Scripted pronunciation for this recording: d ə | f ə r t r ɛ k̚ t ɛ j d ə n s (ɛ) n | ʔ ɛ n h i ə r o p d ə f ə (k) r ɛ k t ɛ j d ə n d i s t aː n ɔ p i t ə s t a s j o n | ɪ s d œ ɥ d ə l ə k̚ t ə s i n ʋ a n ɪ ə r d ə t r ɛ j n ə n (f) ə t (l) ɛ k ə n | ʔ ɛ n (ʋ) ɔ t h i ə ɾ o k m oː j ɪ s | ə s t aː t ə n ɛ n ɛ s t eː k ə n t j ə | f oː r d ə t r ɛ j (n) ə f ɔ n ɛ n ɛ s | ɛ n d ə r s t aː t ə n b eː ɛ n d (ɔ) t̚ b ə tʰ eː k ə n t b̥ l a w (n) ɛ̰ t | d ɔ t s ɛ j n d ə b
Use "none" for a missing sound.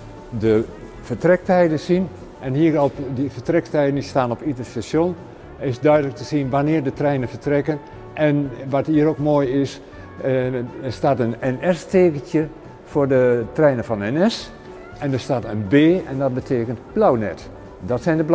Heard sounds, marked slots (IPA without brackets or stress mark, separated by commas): i, t, f, r, ʋ, n, ɔ, n